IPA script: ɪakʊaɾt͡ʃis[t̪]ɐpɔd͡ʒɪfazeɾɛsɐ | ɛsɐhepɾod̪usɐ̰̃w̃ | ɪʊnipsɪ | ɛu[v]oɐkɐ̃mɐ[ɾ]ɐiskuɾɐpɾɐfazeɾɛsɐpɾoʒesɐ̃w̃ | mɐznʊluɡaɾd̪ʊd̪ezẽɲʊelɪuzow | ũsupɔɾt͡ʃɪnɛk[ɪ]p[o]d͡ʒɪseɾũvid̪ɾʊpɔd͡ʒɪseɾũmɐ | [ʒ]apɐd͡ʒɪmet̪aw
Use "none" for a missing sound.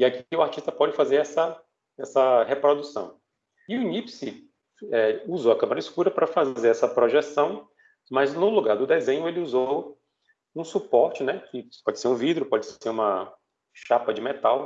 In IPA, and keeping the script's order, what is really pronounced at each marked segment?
t̪, z, ɾ, ɪ, ɔ, ʃ

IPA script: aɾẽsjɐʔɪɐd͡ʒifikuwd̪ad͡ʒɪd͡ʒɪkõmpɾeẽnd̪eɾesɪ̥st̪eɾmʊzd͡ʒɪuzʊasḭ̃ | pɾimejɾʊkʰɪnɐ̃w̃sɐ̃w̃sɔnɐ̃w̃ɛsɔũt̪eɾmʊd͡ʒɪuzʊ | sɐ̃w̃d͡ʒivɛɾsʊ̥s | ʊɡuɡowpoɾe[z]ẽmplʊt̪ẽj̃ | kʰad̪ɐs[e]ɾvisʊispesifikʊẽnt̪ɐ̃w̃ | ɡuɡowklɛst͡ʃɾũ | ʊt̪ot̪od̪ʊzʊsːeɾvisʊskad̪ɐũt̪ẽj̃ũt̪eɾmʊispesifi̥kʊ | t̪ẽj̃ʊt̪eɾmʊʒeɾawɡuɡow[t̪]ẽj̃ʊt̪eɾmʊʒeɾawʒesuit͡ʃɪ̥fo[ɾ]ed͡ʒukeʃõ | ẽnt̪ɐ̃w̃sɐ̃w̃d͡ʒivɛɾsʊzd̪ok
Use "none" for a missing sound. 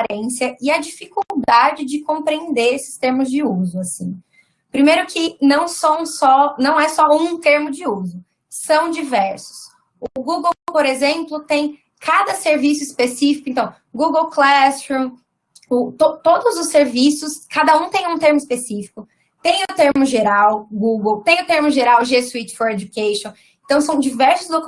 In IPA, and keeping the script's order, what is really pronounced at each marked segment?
z, e, t̪, ɾ

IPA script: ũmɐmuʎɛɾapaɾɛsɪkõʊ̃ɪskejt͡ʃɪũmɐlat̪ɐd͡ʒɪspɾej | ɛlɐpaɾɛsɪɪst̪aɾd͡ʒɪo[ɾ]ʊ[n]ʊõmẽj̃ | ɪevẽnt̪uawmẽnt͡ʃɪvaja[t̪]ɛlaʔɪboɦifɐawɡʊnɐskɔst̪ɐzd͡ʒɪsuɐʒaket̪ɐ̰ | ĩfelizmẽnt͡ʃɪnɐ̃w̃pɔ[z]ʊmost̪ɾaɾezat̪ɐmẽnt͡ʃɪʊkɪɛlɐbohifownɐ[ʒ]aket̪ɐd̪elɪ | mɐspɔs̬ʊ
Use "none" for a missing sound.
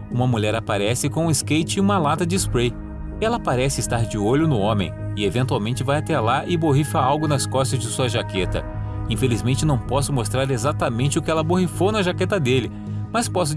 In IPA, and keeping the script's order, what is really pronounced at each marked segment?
ʎ, n, t̪, s, ʒ

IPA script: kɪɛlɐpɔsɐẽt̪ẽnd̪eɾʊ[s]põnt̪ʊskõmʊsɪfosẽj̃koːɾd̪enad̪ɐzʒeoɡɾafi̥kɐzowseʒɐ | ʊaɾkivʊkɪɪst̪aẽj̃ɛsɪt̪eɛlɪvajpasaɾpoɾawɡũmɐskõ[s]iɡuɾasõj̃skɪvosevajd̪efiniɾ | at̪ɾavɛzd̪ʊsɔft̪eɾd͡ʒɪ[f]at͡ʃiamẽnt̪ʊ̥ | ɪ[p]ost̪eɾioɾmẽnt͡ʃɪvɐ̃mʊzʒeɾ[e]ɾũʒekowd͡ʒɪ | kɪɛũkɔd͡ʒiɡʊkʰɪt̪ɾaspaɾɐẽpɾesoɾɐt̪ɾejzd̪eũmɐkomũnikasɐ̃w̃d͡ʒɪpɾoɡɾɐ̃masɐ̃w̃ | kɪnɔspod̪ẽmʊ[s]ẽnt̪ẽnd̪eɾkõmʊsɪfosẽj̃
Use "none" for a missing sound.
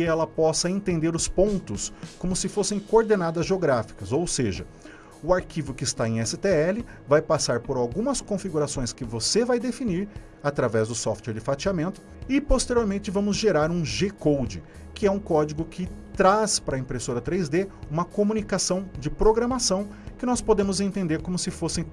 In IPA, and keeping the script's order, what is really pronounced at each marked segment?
s, f, f, p, a, z

